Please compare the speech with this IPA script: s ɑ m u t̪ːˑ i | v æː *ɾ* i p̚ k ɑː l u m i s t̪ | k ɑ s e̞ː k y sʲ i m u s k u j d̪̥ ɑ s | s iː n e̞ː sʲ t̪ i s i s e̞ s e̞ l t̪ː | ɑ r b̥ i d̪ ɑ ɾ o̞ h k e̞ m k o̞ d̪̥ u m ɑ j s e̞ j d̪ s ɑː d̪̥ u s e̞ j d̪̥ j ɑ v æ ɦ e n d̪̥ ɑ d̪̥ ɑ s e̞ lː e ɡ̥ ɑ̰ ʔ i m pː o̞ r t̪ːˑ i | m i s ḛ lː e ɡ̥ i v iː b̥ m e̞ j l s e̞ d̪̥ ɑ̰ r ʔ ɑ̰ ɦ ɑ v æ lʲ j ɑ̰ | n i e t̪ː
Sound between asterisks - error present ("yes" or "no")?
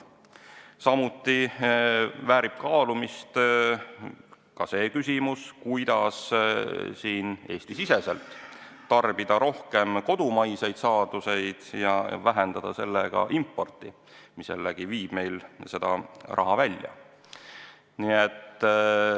no